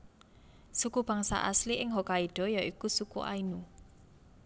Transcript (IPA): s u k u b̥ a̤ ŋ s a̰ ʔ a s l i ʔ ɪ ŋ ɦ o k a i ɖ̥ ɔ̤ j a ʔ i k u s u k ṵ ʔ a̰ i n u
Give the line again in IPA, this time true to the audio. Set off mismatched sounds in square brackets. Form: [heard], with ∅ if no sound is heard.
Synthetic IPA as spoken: s u k u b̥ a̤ ŋ s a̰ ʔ a s l i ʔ ɪ ŋ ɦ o k a i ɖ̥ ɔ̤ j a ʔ i k u s u k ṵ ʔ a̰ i n u